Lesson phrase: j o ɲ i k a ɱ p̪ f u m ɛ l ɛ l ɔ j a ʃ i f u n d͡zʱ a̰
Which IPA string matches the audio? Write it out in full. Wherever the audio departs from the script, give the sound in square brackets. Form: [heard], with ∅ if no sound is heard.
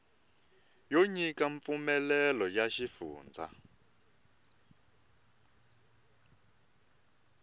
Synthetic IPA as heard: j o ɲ i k a ɱ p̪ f u m ɛ l ɛ l ɔ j a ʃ i f [uː] n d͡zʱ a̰